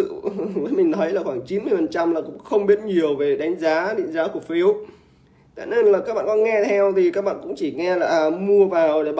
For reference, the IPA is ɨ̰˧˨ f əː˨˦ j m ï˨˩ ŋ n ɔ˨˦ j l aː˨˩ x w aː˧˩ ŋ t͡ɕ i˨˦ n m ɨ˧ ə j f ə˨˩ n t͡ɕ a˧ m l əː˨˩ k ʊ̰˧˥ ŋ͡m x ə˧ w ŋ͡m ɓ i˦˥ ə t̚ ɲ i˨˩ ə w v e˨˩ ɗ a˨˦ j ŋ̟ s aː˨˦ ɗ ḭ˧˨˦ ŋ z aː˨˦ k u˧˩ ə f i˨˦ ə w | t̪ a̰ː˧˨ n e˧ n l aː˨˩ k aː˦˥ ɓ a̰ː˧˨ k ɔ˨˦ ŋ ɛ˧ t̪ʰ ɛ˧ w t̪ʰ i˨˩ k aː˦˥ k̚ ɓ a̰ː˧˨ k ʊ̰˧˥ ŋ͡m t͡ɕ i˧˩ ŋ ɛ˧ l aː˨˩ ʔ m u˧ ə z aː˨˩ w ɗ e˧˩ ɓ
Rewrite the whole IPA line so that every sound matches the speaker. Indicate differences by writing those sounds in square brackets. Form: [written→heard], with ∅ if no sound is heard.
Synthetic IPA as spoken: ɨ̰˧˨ [f→v] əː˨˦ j m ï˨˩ ŋ n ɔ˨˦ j l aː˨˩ x w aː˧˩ ŋ t͡ɕ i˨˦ n m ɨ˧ ə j f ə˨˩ n t͡ɕ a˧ m l [əː˨˩→aː˨˩] k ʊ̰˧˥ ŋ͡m x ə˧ w ŋ͡m ɓ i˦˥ ə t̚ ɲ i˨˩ ə w v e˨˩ ɗ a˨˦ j ŋ̟ [s→z] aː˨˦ ɗ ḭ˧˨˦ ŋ z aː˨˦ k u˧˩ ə f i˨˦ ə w | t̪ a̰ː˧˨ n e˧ n l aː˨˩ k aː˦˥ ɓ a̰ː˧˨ k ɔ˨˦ ŋ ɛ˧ t̪ʰ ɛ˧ w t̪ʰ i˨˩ k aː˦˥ k̚ ɓ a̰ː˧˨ k ʊ̰˧˥ ŋ͡m t͡ɕ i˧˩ ŋ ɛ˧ l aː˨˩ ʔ m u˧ ə [z→v] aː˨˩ w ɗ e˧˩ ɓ